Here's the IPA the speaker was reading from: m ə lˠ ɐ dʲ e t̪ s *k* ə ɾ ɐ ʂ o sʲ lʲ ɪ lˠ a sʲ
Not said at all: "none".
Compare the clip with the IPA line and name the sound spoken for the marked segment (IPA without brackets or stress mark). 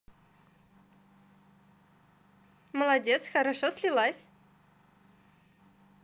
x